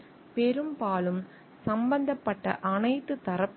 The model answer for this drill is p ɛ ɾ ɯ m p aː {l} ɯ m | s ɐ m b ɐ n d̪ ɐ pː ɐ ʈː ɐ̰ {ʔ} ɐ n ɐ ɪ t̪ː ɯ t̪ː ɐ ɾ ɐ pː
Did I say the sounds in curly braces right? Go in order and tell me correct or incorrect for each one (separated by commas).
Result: correct, correct